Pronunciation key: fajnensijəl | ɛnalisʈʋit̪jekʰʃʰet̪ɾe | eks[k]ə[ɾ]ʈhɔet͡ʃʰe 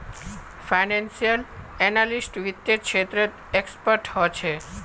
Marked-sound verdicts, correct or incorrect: incorrect, correct

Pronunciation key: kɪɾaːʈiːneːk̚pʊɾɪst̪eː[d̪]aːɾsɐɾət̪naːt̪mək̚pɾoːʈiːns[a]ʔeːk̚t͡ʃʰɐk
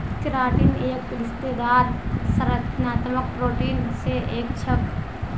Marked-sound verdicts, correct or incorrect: correct, incorrect

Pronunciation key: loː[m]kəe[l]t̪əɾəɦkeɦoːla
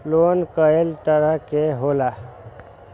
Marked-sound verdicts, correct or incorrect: incorrect, correct

